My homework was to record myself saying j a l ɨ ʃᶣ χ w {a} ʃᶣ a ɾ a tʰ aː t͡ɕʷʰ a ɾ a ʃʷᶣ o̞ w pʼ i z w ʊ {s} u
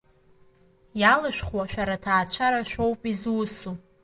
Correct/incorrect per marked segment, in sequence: correct, correct

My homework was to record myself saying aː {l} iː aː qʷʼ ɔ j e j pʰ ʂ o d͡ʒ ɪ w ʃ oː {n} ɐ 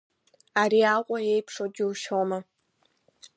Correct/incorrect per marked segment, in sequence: incorrect: ɾ, incorrect: m

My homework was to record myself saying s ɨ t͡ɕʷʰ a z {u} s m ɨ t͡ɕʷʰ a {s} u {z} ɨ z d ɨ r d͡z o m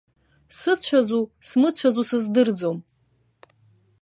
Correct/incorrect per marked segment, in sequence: correct, incorrect: z, incorrect: s

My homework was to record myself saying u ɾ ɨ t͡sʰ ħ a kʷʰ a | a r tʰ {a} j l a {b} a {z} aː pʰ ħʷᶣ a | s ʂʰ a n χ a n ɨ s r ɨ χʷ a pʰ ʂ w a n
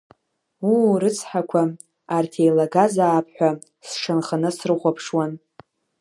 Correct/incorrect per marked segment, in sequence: incorrect: e, incorrect: ɡ, correct

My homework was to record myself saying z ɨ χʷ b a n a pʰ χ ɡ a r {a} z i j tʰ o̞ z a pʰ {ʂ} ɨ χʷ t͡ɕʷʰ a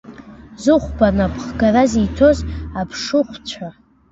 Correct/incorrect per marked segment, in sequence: correct, correct

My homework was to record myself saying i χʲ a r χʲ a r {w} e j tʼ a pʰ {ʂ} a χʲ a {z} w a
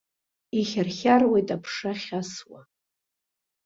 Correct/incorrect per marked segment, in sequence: correct, correct, incorrect: s

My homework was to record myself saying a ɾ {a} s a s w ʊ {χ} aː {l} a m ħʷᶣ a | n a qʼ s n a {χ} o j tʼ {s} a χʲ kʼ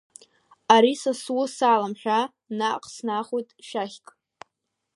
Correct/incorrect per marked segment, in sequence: incorrect: i, incorrect: s, correct, correct, incorrect: ʃ

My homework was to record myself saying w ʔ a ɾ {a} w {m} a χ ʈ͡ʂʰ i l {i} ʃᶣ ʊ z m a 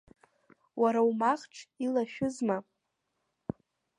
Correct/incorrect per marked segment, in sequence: correct, correct, incorrect: a

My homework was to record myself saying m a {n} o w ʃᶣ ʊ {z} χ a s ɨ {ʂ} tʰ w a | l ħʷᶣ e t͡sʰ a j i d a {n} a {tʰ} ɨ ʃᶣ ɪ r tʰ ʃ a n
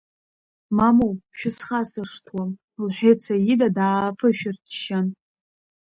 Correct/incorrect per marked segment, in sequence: incorrect: m, incorrect: s, correct, incorrect: d, incorrect: pʰ

